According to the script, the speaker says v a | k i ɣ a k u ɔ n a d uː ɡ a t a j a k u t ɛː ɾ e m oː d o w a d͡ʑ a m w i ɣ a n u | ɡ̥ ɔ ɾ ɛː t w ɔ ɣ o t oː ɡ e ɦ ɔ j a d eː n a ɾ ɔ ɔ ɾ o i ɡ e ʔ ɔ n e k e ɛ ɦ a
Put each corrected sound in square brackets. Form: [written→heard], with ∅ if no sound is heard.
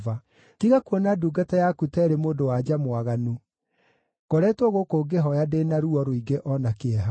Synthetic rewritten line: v a | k i ɣ a k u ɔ n a d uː ɡ a t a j a k u t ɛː ɾ e m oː d o w a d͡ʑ a m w [i→a] ɣ a n u | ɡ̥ ɔ ɾ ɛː t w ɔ ɣ o [t→k] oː ɡ e ɦ ɔ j a d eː n a ɾ [ɔ→u] ɔ ɾ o i ɡ e ʔ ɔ n [e→a] k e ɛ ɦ a